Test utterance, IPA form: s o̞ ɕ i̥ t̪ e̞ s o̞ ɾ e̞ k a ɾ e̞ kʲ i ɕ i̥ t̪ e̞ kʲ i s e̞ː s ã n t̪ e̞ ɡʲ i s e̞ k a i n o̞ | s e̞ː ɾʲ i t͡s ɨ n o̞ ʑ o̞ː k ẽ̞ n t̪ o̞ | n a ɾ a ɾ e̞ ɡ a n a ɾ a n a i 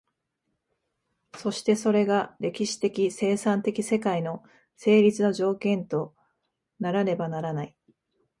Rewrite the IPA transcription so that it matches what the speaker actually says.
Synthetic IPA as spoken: s o̞ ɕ i̥ t̪ e̞ s o̞ ɾ e̞ ɡ a ɾ e̞ kʲ i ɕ i̥ t̪ e̞ kʲ i s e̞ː s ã n t̪ e̞ kʲ i s e̞ k a i n o̞ | s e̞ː ɾʲ i t͡s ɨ n o̞ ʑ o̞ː k ẽ̞ n t̪ o̞ | n a ɾ a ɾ e̞ b a n a ɾ a n a i